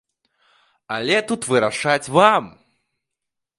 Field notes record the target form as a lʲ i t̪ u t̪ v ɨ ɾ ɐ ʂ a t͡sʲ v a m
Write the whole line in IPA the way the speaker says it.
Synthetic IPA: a lʲ ɛ t̪ u t̪ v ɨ ɾ a ʂ a t͡sʲ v a m